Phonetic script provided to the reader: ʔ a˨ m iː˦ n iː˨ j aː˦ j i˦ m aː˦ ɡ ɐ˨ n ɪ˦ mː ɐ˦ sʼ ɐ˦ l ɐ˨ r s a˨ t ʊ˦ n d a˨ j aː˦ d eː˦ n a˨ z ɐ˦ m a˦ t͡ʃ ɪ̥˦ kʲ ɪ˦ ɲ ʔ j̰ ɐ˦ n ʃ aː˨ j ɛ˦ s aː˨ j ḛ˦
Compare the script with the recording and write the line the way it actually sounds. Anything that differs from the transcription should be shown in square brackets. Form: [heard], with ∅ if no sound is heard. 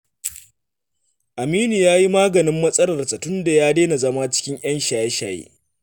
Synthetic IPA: ʔ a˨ m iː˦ n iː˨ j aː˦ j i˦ m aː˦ ɡ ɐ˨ n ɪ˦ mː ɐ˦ sʼ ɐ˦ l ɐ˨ r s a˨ t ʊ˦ n d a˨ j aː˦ d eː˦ n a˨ z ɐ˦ m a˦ t͡ʃ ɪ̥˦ kʲ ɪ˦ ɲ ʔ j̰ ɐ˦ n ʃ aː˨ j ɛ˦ [ʃ] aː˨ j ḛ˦